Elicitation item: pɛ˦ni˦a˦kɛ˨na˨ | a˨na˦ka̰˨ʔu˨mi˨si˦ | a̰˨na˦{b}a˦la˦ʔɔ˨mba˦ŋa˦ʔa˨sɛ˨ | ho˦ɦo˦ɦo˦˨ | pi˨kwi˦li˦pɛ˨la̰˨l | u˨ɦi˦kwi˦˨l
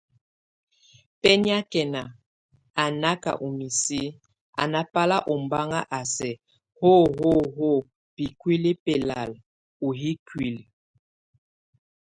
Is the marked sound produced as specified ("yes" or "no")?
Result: no